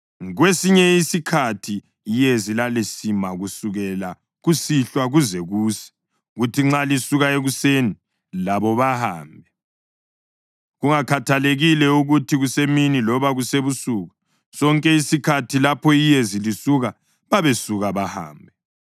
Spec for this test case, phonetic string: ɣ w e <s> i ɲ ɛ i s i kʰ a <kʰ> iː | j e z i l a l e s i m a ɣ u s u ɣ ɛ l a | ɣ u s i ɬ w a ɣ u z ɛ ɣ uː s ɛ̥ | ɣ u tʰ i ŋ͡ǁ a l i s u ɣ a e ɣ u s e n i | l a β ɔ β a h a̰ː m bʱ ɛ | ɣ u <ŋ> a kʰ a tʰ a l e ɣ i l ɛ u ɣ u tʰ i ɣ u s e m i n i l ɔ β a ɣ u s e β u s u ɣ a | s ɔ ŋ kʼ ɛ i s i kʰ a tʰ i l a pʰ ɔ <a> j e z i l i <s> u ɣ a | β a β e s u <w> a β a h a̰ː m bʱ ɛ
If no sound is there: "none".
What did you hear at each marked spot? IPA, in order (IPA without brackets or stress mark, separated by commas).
s, tʰ, ŋ, i, s, ɣ